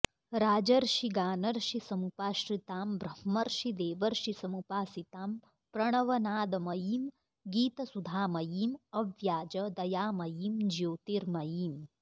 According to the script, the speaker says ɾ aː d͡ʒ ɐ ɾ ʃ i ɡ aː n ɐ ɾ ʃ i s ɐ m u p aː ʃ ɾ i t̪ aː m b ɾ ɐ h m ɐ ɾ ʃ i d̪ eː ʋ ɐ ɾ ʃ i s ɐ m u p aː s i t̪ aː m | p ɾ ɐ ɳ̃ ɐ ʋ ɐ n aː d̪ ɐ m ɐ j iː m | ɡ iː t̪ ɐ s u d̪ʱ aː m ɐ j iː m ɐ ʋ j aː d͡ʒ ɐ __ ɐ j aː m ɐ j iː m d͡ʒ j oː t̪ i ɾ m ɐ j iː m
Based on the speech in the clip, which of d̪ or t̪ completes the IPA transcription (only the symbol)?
d̪